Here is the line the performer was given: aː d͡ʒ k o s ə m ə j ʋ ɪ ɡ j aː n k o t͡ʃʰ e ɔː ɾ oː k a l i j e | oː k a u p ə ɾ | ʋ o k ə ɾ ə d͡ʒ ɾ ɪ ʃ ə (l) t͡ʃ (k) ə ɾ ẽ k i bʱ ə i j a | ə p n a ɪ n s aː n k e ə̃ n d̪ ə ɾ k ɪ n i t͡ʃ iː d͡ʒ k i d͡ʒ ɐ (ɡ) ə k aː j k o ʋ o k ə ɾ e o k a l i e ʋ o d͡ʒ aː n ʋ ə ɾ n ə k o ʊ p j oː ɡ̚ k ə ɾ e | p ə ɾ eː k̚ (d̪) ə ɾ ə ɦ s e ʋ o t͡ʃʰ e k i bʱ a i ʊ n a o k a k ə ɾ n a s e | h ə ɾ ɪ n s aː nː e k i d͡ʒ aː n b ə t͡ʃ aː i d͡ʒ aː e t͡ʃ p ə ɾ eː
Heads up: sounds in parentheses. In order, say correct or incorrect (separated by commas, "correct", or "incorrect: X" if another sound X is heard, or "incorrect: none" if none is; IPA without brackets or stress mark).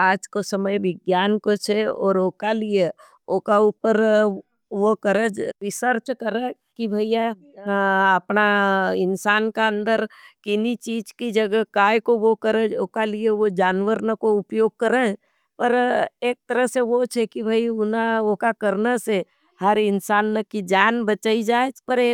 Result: incorrect: ɾ, correct, correct, incorrect: t̪